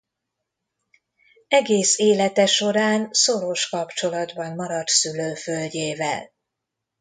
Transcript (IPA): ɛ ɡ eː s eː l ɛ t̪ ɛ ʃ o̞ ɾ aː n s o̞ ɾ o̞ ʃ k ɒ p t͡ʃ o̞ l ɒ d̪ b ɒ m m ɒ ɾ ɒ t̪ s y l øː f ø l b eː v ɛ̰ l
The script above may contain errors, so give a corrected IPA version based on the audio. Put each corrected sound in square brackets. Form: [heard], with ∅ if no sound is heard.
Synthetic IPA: ɛ ɡ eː s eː l ɛ t̪ ɛ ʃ o̞ ɾ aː n s o̞ ɾ o̞ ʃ k ɒ p t͡ʃ o̞ l ɒ d̪ b ɒ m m ɒ ɾ ɒ t̪ s y l øː f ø l [ɟ] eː v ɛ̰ l

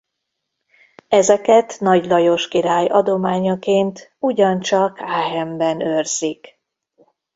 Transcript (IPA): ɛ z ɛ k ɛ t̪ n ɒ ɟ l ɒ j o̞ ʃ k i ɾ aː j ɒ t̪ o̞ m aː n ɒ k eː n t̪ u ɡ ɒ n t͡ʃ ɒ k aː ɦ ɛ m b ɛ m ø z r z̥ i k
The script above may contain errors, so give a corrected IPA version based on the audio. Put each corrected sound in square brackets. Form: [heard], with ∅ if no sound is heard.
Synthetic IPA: ɛ z ɛ k ɛ t̪ n ɒ ɟ l ɒ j o̞ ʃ k i ɾ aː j ɒ [d̪] o̞ m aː [ɲ] ɒ k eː n t̪ u [ɟ] ɒ n t͡ʃ ɒ k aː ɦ ɛ m b ɛ [n] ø [∅] r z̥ i k

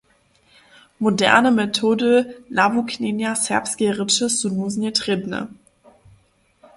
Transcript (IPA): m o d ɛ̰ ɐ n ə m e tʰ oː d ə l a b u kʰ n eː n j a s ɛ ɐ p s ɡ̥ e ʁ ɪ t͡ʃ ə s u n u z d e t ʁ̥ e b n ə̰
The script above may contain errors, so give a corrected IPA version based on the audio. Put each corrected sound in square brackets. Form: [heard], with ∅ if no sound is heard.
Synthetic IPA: m o d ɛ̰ ɐ n ə m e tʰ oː d ə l a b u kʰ n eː n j a s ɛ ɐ p s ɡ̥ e ʁ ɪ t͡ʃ ə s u n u z [n] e t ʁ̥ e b n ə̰

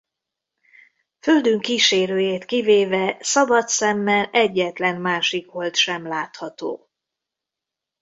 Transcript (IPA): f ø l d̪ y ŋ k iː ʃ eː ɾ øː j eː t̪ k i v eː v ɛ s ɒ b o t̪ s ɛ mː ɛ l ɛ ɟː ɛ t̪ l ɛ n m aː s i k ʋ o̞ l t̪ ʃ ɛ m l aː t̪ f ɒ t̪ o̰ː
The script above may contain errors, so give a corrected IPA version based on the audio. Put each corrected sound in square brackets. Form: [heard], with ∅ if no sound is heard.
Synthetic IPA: f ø l d̪ y ŋ k iː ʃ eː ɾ øː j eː t̪ k i v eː v ɛ s ɒ b [ɒ] t̪ s ɛ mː ɛ l ɛ ɟː ɛ t̪ l ɛ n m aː [ʃ] i k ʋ o̞ l t̪ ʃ ɛ m l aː t̪ [h] ɒ t̪ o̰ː

